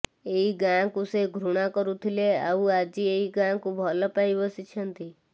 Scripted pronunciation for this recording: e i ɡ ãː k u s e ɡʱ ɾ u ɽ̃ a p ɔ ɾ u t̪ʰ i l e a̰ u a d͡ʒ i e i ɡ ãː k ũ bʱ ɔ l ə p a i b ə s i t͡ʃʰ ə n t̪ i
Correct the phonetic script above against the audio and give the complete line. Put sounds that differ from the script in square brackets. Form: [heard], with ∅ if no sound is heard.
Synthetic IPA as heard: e i ɡ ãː k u s e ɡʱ ɾ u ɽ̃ a [k] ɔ ɾ u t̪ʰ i l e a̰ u a d͡ʒ i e i ɡ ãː k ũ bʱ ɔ l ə p a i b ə s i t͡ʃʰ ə n t̪ i

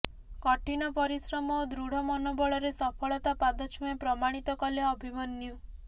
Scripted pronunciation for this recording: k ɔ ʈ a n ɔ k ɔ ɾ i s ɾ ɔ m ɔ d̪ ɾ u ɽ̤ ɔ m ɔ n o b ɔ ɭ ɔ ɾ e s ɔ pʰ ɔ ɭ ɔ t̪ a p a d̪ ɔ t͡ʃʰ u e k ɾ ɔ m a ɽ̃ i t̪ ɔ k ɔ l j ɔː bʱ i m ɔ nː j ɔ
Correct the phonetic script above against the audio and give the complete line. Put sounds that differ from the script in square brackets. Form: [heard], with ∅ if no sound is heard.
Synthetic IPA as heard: k ɔ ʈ [i] n ɔ [p] ɔ ɾ i s ɾ ɔ m ɔ d̪ ɾ u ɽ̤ ɔ m ɔ n o b ɔ ɭ ɔ ɾ e s ɔ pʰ ɔ ɭ ɔ t̪ a p a d̪ ɔ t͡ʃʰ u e [p] ɾ ɔ m a ɽ̃ i t̪ ɔ k ɔ l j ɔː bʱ i m ɔ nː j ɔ

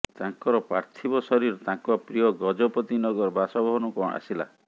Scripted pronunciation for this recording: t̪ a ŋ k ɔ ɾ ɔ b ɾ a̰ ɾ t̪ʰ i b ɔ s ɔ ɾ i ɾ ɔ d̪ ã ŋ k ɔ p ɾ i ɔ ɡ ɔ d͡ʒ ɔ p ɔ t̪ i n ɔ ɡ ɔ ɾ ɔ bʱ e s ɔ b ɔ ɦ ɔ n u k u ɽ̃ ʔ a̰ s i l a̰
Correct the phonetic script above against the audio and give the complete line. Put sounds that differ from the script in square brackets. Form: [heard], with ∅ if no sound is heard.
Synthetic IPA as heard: t̪ a ŋ k ɔ ɾ ɔ [p] ɾ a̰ ɾ t̪ʰ i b ɔ s ɔ ɾ i ɾ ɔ [t̪] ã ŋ k ɔ p ɾ i ɔ ɡ ɔ d͡ʒ ɔ p ɔ t̪ i n ɔ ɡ ɔ ɾ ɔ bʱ [a] s ɔ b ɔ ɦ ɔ n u k [ɔ] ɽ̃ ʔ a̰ s i l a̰

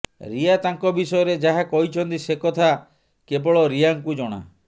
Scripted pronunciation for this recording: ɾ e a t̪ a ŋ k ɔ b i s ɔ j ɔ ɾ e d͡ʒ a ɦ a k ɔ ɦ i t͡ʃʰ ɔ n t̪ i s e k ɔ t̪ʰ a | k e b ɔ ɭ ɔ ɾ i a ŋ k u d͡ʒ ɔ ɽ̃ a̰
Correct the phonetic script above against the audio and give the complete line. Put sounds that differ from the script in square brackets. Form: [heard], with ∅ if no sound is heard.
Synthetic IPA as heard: ɾ [i] a t̪ a ŋ k ɔ b i s ɔ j ɔ ɾ e d͡ʒ a ɦ a k ɔ ɦ i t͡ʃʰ ɔ n t̪ i s e k ɔ t̪ʰ a | k e b ɔ ɭ ɔ ɾ i a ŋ k u d͡ʒ ɔ ɽ̃ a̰

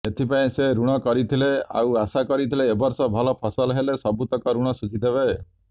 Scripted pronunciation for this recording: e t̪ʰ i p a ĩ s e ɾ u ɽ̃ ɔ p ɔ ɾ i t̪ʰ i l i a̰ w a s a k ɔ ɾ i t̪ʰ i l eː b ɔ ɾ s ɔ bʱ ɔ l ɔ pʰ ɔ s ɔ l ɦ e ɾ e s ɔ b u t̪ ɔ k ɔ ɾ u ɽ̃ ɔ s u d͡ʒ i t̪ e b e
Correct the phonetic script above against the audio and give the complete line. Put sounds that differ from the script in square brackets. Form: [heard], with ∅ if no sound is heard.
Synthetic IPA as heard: e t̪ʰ i p a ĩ s e ɾ u ɽ̃ ɔ [k] ɔ ɾ i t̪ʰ i l [e] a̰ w a s a k ɔ ɾ i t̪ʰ i l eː b ɔ ɾ s ɔ bʱ ɔ l ɔ pʰ ɔ s ɔ l ɦ e [l] e s ɔ b u t̪ ɔ k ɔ ɾ u ɽ̃ ɔ s u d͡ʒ i [d̪] e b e

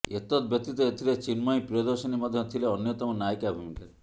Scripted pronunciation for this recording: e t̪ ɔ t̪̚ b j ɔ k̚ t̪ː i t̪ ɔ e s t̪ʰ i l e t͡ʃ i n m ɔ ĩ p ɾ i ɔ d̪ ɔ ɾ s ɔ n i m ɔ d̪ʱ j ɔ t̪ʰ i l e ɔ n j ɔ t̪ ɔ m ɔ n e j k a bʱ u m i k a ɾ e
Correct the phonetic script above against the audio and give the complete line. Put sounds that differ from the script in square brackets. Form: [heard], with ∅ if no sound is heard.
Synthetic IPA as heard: e t̪ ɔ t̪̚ b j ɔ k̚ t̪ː i t̪ ɔ e [∅] t̪ʰ i l e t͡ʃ i n m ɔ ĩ p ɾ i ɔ d̪ ɔ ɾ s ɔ n i m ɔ d̪ʱ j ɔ t̪ʰ i l e ɔ n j ɔ t̪ ɔ m ɔ n [a] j k a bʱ u m i k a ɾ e

